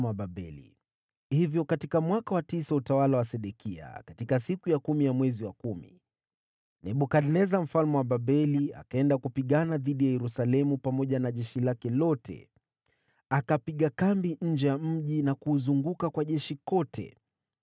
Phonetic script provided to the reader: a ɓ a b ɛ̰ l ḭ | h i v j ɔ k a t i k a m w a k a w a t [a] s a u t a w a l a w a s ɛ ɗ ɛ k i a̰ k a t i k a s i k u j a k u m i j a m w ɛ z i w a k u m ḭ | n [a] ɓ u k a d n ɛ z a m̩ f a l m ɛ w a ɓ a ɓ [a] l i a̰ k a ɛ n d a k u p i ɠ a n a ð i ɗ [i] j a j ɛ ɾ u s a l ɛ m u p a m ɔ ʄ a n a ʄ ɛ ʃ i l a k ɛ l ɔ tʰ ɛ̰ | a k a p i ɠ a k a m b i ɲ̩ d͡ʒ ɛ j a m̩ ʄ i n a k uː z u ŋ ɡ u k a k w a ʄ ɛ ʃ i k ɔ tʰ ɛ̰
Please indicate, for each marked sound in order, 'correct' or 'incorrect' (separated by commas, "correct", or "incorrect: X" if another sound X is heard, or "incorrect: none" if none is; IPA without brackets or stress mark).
incorrect: i, incorrect: ɛ, incorrect: ɛ, correct